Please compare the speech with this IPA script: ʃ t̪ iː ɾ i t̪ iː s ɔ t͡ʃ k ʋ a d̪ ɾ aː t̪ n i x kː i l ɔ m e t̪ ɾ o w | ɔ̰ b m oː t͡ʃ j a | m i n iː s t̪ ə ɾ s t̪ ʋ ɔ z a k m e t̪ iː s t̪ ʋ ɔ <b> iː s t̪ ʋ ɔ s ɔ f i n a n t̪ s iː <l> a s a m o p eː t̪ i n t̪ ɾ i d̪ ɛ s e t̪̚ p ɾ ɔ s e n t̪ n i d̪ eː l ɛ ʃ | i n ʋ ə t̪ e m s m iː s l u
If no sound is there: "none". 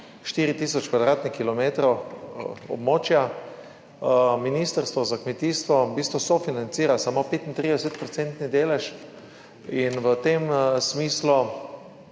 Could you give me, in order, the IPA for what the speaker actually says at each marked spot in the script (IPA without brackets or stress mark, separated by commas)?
b, ɾ